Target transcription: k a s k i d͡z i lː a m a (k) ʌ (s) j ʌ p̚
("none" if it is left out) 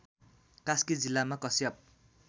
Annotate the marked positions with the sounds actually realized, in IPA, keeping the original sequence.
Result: k, s

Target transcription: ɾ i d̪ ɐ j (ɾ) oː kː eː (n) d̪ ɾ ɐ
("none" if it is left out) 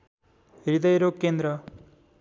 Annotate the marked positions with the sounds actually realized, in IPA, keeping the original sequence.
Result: ɾ, n

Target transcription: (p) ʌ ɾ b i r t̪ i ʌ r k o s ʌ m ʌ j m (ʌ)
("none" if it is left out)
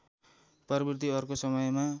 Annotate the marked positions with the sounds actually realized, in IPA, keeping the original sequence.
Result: p, a

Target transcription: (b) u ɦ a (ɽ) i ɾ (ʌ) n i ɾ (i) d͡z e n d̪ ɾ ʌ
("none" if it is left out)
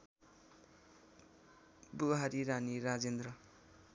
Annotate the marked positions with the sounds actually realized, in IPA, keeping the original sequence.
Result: b, ɾ, a, a

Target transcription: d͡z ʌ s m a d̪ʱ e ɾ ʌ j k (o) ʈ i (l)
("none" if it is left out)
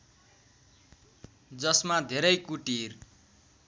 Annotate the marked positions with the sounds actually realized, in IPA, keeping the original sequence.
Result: u, r

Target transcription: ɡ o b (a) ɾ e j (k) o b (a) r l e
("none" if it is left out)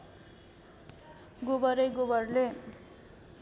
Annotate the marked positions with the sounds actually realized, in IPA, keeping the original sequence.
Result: ʌ, ɡ, ʌ

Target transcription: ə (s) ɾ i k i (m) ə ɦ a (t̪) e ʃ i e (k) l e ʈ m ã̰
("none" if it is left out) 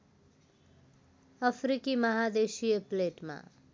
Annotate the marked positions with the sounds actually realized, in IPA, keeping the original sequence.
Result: f, m, d̪, p

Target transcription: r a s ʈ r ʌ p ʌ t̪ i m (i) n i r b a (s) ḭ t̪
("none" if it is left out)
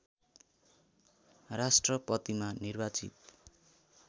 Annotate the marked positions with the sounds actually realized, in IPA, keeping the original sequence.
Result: a, t͡s

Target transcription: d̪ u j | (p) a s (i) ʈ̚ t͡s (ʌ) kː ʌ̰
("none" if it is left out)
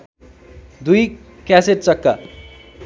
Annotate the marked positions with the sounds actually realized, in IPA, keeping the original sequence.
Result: k, e, ʌ

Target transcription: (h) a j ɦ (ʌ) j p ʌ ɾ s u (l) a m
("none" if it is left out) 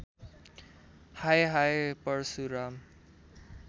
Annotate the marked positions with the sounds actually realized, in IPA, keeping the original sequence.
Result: h, a, ɾ

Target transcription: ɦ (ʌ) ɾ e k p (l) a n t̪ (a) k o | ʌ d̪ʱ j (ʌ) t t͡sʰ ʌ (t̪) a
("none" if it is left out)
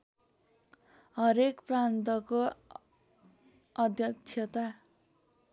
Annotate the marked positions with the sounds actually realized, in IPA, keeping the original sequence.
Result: ʌ, r, ʌ, ʌ, t̪

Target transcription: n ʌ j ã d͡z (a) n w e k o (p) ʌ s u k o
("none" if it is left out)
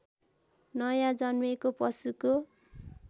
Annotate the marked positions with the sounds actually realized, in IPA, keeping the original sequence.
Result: ʌ, p

